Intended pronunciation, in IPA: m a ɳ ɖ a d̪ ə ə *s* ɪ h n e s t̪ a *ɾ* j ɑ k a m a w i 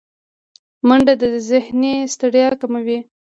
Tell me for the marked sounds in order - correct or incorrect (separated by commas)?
incorrect, incorrect